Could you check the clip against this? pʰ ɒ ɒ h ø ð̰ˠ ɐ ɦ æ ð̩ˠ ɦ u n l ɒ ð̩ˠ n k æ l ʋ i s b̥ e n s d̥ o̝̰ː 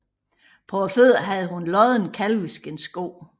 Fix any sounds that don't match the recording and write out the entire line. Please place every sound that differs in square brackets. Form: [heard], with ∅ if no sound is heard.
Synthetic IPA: pʰ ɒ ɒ [f] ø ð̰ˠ ɐ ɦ æ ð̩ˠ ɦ u n l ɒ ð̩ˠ n [kʰ] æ l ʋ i s [ɡ̥] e n s [ɡ̥] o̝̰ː

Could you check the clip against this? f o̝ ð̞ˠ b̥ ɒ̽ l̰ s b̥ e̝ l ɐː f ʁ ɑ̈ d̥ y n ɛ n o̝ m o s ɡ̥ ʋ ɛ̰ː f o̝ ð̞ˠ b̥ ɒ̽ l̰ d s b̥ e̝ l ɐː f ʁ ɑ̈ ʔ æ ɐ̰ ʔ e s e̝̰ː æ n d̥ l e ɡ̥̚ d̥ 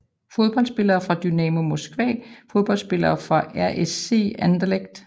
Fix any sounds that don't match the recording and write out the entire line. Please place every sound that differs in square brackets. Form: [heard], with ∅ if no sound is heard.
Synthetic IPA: f o̝ ð̞ˠ b̥ ɒ̽ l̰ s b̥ e̝ l ɐː f ʁ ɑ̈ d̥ y n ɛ [m] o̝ m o s ɡ̥ ʋ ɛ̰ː f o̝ ð̞ˠ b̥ ɒ̽ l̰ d s b̥ e̝ l ɐː f ʁ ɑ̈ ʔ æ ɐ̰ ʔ e s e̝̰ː æ n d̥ l e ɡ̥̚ d̥

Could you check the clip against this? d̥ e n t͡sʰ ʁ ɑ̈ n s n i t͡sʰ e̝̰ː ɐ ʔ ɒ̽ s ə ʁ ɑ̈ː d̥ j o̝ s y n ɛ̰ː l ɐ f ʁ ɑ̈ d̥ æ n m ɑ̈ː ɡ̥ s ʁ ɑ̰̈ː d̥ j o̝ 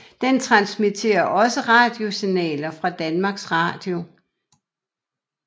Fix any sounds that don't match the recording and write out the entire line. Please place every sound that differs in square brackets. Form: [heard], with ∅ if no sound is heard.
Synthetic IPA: d̥ e n t͡sʰ ʁ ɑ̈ n s [m] i t͡sʰ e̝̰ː ɐ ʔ ɒ̽ s ə ʁ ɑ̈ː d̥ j o̝ s [i] n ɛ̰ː l ɐ f ʁ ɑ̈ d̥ æ n m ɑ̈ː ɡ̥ s ʁ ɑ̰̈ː d̥ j o̝

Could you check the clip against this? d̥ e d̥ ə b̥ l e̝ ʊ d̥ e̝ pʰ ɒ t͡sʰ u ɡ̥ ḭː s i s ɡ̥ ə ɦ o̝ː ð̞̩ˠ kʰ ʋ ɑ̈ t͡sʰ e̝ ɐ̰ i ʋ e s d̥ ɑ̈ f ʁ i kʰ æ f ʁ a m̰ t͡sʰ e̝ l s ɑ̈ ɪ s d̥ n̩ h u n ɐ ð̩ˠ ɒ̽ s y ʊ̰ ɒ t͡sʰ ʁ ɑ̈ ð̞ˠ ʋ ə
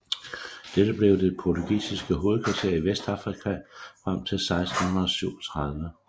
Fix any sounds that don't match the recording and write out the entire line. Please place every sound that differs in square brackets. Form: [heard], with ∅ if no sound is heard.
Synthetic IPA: d̥ e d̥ ə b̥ l e̝ ʊ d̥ e̝ pʰ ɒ t͡sʰ u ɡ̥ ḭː s i s ɡ̥ ə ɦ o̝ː ð̞̩ˠ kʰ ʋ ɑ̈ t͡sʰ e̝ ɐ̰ i ʋ e s d̥ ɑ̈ f ʁ i kʰ æ f ʁ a m̰ t͡sʰ e̝ l s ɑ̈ ɪ s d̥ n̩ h u n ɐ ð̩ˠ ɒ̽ s y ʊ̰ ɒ t͡sʰ ʁ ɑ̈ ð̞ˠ ʋ ə

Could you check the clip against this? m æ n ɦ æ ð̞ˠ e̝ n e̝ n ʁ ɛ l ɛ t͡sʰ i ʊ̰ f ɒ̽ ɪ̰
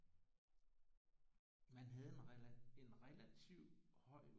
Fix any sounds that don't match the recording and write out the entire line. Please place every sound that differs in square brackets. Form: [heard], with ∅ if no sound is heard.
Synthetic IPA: m æ n ɦ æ ð̞ˠ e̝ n e̝ n ʁ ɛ l [æ] t͡sʰ i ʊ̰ [h] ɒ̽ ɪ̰

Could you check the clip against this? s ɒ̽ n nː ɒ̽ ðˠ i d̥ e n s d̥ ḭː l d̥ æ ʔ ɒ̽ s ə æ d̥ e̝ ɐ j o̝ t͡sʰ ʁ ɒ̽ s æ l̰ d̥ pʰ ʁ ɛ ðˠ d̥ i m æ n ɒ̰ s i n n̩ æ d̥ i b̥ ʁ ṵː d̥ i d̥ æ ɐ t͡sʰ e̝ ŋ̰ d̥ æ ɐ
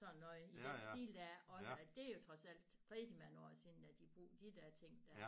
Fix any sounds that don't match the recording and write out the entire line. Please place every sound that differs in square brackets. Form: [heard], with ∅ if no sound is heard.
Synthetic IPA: s ɒ̽ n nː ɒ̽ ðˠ i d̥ e n s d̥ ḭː l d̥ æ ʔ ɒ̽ s ə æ d̥ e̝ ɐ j o̝ t͡sʰ ʁ ɒ̽ s æ l̰ d̥ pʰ ʁ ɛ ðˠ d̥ i m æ n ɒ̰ s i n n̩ æ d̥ i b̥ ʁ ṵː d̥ i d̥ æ ɐ t͡sʰ e̝ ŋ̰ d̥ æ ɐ

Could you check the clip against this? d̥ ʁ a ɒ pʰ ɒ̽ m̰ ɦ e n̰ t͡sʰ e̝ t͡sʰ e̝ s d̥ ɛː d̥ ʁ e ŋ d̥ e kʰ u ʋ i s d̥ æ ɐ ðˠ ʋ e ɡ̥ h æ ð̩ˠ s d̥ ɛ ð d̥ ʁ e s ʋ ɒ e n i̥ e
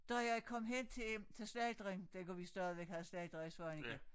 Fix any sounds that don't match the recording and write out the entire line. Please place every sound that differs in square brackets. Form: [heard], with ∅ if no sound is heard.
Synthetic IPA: d̥ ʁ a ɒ [kʰ] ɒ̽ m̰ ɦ e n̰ t͡sʰ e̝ t͡sʰ e̝ s d̥ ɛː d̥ ʁ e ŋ d̥ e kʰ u ʋ i s d̥ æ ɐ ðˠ ʋ e ɡ̥ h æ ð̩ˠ s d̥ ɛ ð d̥ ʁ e s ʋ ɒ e n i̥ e

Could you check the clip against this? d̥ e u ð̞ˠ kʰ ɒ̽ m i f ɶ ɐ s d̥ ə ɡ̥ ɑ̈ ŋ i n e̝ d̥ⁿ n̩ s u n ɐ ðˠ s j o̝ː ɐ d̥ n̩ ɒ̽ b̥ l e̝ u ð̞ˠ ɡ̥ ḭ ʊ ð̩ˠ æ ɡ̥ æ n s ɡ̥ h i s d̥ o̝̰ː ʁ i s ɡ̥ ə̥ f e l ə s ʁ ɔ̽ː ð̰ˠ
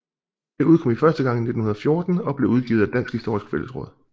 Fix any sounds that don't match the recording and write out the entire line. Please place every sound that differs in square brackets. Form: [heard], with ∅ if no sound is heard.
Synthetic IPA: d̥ e u ð̞ˠ kʰ ɒ̽ m i f ɶ ɐ s d̥ ə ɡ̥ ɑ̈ ŋ i n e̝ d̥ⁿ n̩ [h] u n ɐ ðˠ [f] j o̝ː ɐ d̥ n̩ ɒ̽ b̥ l e̝ u ð̞ˠ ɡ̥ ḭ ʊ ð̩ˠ æ [d̥] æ n s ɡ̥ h i s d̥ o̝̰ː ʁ i s ɡ̥ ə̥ f e l ə s ʁ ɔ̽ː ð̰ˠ

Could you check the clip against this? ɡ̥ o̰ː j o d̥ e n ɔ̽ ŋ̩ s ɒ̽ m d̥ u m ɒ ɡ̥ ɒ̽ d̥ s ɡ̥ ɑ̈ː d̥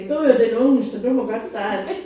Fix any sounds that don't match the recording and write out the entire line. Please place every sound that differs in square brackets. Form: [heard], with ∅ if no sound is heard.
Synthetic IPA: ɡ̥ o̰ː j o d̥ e n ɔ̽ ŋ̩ s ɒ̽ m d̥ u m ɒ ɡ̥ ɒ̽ d̥ s [d̥] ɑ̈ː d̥

